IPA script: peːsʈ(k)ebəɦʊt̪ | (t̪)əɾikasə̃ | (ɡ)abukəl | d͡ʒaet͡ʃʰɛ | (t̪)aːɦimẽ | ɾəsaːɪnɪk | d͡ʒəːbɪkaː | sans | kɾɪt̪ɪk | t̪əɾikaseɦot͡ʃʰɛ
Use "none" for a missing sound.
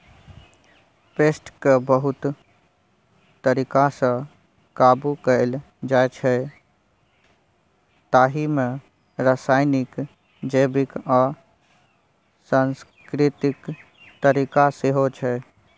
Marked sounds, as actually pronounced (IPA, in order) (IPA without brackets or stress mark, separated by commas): k, t̪, k, t̪